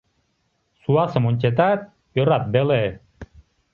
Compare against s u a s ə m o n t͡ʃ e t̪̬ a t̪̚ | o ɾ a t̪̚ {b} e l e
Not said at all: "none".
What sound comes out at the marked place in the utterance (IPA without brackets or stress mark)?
b